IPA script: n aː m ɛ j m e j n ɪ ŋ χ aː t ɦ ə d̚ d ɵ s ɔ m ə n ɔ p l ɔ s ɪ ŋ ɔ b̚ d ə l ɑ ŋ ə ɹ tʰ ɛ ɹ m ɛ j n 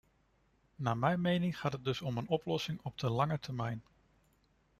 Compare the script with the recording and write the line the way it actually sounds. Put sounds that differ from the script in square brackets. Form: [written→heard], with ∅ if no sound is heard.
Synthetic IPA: n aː m ɛ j m e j n ɪ ŋ χ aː t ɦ ə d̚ d ɵ s ɔ m ə n ɔ p l ɔ s ɪ ŋ ɔ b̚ d ə l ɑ ŋ ə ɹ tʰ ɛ ɹ m ɛ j n